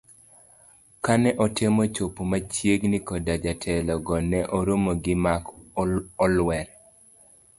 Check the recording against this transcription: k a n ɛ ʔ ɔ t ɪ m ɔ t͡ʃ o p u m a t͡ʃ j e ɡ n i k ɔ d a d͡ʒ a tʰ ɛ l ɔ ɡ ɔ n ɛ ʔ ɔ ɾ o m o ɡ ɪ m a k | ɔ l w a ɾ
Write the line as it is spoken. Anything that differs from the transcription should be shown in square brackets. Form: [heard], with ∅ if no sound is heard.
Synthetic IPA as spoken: k a n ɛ ʔ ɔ t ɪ m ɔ t͡ʃ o p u m a t͡ʃ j e ɡ n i k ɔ d a d͡ʒ a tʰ ɛ l ɔ ɡ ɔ n ɛ ʔ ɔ ɾ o m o ɡ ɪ m a k | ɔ l w [ɛ] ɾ